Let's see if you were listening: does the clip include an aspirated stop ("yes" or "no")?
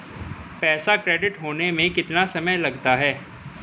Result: no